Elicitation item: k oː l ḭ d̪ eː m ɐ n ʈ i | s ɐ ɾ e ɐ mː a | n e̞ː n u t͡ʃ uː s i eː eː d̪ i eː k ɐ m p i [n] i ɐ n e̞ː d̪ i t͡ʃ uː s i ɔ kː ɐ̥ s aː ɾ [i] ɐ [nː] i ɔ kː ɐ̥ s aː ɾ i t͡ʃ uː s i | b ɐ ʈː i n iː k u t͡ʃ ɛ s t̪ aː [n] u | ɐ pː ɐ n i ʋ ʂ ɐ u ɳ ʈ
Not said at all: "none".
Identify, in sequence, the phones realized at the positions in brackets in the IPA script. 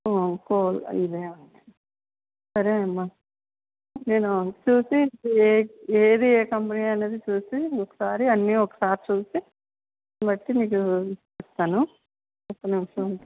n, i, nː, n

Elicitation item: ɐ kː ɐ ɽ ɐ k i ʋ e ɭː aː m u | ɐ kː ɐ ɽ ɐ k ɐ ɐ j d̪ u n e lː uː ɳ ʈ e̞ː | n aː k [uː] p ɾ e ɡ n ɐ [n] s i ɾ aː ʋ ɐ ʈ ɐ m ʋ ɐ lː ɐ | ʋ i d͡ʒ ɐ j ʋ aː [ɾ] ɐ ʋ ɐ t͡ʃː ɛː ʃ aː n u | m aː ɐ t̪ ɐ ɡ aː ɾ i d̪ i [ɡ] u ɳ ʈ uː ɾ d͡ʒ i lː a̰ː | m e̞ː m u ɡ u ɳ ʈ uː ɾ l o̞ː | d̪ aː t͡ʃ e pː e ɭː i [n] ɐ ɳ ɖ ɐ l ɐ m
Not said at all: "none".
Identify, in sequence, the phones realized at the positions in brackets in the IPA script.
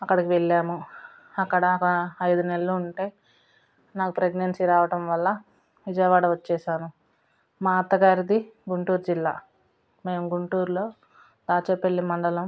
u, n, ɽ, ɡ, m

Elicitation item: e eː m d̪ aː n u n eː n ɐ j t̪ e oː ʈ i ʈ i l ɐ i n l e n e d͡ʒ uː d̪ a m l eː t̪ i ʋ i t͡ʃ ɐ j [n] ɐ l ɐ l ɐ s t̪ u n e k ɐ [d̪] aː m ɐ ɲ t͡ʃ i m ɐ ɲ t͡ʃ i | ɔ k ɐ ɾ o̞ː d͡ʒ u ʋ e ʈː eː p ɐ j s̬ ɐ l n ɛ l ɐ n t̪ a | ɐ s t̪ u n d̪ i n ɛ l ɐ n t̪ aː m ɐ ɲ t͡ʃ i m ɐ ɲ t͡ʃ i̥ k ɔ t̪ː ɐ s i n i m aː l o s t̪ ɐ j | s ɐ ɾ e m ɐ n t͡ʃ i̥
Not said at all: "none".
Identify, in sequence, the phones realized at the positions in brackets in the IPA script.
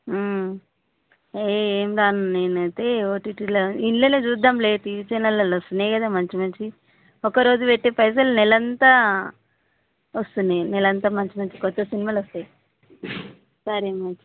n, d̪

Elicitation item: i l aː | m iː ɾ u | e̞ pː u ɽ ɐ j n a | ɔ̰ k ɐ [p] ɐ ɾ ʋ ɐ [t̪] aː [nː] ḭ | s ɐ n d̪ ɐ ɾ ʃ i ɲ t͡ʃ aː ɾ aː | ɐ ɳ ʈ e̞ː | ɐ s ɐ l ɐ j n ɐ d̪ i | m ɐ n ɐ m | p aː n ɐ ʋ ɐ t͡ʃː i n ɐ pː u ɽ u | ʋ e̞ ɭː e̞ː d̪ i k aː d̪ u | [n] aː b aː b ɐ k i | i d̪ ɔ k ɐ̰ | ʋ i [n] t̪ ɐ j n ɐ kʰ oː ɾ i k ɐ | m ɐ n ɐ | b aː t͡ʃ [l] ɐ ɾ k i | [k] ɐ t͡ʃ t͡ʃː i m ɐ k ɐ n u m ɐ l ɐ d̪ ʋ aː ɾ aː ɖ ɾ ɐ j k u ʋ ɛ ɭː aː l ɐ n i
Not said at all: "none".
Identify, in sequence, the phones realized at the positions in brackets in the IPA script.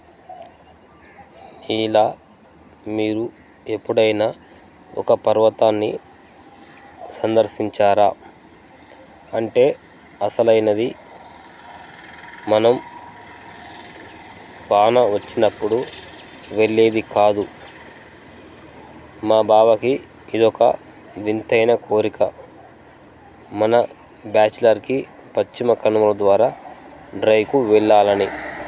p, t̪, nː, m, n, l, p

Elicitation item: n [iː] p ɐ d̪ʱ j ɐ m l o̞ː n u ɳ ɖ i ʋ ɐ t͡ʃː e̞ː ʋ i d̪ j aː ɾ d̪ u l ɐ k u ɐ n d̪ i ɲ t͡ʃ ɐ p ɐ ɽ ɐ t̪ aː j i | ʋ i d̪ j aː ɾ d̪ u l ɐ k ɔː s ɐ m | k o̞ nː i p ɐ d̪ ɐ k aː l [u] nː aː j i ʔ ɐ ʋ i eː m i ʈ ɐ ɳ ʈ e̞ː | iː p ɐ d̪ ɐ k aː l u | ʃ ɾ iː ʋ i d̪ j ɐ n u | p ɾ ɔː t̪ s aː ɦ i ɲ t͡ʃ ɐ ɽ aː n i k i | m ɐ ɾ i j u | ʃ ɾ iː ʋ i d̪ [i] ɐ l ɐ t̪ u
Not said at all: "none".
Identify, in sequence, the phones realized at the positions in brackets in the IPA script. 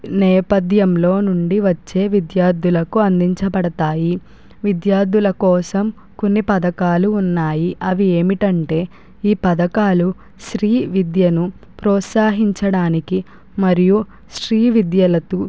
ɛː, uː, j

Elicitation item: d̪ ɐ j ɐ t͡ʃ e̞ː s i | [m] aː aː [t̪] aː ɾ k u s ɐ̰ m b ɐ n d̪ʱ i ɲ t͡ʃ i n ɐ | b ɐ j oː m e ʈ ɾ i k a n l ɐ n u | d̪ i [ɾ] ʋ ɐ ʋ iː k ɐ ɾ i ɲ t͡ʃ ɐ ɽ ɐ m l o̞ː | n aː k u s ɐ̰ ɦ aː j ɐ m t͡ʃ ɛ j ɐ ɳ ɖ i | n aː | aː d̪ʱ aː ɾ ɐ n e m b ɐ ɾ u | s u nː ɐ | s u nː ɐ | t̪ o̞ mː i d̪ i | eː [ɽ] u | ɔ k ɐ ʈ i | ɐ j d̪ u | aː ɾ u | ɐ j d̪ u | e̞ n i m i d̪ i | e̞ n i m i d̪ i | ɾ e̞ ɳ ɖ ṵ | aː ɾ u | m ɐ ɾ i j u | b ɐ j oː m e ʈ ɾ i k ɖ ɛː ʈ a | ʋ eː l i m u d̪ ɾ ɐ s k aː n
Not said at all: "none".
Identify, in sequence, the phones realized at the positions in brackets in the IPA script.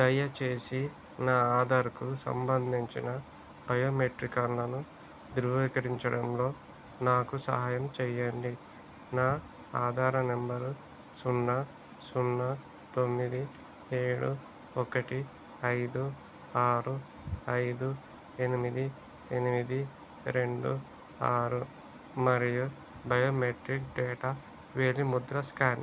n, d̪, ɾ, ɽ

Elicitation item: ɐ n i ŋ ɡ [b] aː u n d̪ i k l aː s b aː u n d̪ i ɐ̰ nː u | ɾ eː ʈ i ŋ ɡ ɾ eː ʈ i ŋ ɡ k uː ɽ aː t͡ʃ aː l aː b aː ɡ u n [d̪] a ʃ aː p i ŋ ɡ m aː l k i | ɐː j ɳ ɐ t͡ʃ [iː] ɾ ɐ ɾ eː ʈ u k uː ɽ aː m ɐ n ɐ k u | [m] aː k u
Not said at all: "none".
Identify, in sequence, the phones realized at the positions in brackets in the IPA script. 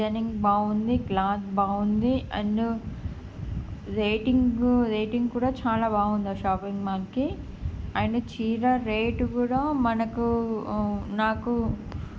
b, d̪, iː, n

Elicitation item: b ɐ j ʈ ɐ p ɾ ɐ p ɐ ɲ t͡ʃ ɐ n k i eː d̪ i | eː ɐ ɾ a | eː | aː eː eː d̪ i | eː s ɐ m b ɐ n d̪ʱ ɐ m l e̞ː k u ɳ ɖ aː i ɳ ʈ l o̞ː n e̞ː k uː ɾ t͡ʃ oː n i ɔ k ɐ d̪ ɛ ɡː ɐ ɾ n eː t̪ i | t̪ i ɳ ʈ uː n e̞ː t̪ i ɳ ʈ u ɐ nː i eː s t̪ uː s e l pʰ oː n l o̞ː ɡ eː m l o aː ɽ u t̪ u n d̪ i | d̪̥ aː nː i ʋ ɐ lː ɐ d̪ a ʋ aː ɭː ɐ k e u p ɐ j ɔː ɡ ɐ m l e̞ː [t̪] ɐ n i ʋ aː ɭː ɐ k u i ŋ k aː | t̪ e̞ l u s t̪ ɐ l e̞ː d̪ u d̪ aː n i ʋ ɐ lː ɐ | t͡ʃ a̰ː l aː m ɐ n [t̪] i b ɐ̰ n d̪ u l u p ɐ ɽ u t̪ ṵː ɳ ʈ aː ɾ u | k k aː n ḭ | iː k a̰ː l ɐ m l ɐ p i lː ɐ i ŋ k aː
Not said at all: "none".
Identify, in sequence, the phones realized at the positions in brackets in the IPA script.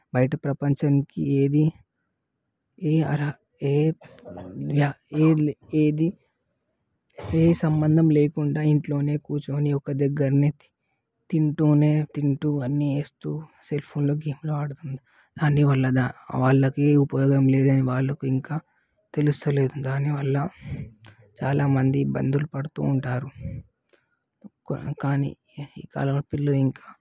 d̪, d̪

